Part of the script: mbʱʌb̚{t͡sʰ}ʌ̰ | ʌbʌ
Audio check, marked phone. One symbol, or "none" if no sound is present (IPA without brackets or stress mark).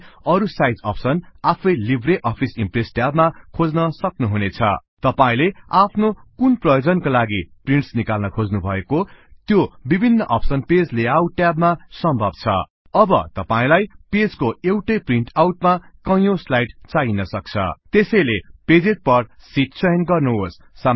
t͡sʰ